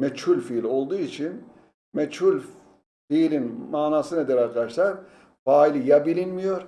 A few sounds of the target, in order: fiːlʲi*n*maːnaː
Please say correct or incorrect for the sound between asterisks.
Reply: correct